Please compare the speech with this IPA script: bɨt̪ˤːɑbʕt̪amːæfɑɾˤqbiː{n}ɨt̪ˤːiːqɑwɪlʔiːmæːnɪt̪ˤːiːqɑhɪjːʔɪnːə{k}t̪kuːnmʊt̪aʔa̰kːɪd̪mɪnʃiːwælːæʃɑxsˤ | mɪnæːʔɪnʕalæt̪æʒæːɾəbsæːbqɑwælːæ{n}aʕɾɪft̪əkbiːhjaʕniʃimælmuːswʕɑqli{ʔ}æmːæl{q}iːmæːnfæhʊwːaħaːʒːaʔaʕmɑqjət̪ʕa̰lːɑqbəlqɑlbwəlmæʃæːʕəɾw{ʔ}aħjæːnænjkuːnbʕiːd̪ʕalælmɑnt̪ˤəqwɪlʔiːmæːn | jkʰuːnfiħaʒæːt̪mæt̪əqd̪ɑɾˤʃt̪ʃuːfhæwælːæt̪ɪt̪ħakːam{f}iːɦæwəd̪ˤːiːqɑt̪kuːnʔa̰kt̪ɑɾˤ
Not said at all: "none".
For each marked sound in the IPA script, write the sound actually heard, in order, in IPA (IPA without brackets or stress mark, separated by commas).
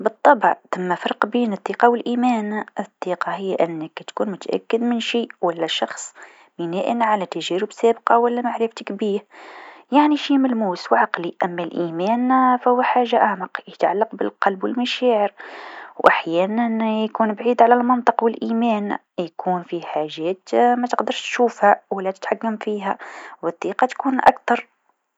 n, k, m, ʔ, ʔ, ʔ, f